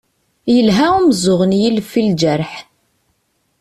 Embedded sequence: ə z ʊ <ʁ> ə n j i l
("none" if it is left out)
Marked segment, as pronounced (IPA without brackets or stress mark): ʁ